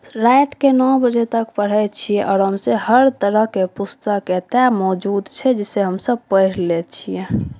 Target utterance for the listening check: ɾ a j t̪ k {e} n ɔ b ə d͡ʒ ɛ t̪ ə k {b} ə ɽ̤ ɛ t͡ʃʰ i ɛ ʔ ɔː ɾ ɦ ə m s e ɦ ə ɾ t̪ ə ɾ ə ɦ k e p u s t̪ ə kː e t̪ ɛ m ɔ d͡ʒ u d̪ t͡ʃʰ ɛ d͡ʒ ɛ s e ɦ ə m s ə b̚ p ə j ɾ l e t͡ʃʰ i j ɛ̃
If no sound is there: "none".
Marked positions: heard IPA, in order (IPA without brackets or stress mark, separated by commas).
e, p